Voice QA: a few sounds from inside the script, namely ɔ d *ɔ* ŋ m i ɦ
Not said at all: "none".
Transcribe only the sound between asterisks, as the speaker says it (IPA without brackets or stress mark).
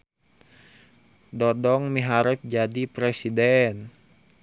ɔ